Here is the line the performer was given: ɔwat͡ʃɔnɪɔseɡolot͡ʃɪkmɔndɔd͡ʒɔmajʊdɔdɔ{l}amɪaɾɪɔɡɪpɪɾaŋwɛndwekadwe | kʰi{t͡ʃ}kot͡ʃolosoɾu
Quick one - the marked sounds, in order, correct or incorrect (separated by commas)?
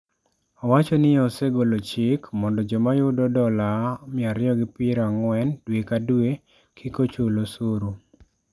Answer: correct, incorrect